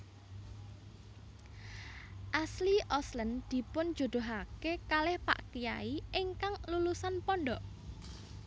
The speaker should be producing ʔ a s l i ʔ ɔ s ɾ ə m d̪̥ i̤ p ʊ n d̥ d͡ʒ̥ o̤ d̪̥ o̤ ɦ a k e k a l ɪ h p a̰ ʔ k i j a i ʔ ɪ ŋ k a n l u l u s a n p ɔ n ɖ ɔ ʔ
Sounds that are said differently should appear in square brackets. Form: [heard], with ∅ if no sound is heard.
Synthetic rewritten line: ʔ a s l i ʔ ɔ s [l] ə [n] d̪̥ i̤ p ʊ n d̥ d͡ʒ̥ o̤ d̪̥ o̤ ɦ a k e k a l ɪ h p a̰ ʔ k i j a i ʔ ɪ ŋ k a [ŋ] l u l u s a n p ɔ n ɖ ɔ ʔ